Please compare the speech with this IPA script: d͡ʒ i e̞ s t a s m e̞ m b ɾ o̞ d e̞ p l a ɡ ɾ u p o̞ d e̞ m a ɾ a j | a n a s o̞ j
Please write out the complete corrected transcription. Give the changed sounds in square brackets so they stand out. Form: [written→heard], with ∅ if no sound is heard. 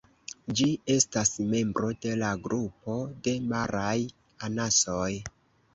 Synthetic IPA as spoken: d͡ʒ i e̞ s t a s m e̞ m b ɾ o̞ d e̞ [p→∅] l a ɡ ɾ u p o̞ d e̞ m a ɾ a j | a n a s o̞ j